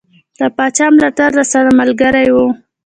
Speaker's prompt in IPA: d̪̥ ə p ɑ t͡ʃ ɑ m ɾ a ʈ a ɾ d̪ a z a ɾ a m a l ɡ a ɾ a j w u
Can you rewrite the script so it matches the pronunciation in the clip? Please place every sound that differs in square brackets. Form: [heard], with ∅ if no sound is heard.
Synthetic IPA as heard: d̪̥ ə p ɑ t͡ʃ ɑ m [l] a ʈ a ɾ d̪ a [s] a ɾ a m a l ɡ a ɾ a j w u